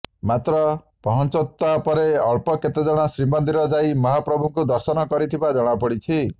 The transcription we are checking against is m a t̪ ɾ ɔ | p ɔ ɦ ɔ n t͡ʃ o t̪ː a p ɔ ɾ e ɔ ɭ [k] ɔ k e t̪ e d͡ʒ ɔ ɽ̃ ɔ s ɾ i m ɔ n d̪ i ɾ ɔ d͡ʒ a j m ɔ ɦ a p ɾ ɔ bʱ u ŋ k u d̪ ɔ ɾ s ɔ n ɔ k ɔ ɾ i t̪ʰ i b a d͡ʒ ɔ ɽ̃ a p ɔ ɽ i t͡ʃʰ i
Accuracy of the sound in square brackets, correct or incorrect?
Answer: incorrect